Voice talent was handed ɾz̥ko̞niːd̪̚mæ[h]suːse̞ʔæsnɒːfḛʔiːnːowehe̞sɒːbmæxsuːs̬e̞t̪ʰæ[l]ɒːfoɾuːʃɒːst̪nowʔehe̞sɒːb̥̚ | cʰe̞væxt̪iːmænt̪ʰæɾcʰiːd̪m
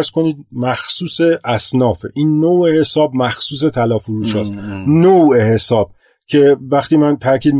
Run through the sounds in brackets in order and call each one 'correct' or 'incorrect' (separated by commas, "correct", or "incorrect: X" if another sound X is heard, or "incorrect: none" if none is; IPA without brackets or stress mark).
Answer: incorrect: x, correct